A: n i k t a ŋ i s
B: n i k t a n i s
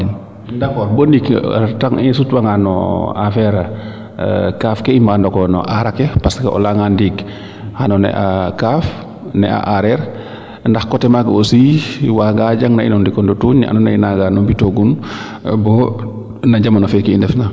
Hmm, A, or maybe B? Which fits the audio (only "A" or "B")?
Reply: A